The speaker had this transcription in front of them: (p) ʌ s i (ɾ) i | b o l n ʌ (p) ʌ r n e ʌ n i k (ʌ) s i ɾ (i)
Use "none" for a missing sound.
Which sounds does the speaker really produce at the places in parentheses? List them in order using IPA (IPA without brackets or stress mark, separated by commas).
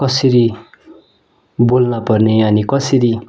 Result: k, ɾ, p, ʌ, i